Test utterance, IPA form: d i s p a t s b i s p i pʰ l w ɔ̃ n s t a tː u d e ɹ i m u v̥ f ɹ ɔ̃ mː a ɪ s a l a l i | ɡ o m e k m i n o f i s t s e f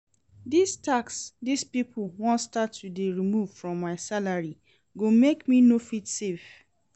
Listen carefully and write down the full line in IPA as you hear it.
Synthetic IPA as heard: d i s t a k s d i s p i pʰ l w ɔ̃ n s t a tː u d e ɹ i m u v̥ f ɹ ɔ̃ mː a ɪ s a l a ɹ i | ɡ o m e k m i n o f i t s e f